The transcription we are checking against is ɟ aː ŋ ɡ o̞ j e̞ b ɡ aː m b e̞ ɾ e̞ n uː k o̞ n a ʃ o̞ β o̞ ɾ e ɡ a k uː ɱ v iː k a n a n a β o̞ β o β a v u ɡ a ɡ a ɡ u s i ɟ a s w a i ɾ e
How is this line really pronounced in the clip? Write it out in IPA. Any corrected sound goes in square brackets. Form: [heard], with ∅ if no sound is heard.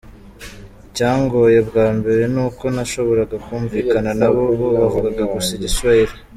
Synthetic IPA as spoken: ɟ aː ŋ ɡ o̞ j e̞ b ɡ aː m b e̞ ɾ e̞ n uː k o̞ n a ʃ o̞ β o̞ ɾ [a] ɡ a k uː ɱ v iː k a n a n a β o̞ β o β a v u ɡ a ɡ a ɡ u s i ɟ [i] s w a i ɾ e

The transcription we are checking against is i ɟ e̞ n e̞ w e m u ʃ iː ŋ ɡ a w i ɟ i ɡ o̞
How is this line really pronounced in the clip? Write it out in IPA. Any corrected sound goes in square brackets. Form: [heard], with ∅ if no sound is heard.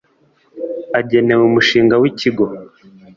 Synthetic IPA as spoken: [a] ɟ e̞ n e̞ w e m u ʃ iː ŋ ɡ a w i [c] i ɡ o̞

